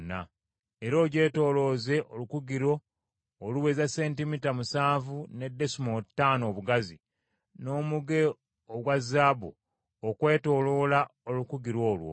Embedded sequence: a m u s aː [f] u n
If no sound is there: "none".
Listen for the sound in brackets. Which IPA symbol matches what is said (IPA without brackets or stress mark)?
v